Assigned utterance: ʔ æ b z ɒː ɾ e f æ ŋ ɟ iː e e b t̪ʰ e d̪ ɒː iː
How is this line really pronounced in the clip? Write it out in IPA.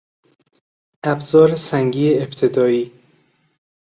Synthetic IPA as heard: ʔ æ b z ɒː ɾ e s æ ŋ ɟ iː e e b t̪ʰ e d̪ ɒː iː